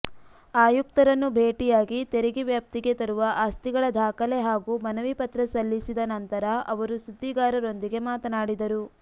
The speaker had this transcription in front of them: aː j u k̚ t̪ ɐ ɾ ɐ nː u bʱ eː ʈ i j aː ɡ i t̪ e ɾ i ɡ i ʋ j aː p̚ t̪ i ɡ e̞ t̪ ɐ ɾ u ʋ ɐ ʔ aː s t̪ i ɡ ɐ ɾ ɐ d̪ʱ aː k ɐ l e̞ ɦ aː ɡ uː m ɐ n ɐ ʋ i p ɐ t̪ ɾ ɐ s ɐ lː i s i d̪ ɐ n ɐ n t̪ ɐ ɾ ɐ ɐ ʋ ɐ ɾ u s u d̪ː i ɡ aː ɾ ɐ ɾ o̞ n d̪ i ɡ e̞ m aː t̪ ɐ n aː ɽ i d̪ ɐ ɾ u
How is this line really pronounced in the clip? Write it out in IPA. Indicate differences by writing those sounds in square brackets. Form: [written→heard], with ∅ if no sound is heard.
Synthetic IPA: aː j u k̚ t̪ ɐ ɾ ɐ nː u bʱ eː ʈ i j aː ɡ i t̪ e ɾ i ɡ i ʋ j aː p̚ t̪ i ɡ e̞ t̪ ɐ ɾ u ʋ ɐ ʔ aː s t̪ i ɡ ɐ [ɾ→ɭ] ɐ d̪ʱ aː k ɐ l e̞ ɦ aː ɡ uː m ɐ n ɐ ʋ i p ɐ t̪ ɾ ɐ s ɐ lː i s i d̪ ɐ n ɐ n t̪ ɐ ɾ ɐ ɐ ʋ ɐ ɾ u s u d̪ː i ɡ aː ɾ ɐ ɾ o̞ n d̪ i ɡ e̞ m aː t̪ ɐ n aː ɽ i d̪ ɐ ɾ u